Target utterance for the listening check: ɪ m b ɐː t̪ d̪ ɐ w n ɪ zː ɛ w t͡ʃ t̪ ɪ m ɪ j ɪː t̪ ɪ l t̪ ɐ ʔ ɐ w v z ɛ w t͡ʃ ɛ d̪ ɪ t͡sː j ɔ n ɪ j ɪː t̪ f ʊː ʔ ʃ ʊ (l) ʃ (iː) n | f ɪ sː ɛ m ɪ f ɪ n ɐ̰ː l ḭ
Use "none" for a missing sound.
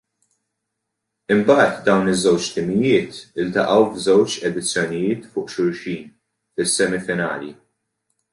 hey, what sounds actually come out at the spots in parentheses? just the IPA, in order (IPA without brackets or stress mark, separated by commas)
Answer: ɾ, iː